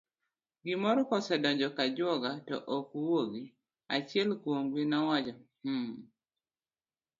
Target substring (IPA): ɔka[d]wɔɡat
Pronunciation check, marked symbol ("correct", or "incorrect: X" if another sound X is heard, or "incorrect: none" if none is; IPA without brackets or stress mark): incorrect: d͡ʒ